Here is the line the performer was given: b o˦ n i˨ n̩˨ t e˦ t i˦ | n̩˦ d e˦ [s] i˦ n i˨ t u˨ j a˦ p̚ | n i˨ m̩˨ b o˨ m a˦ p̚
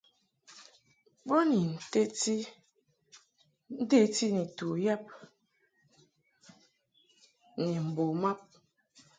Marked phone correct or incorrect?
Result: incorrect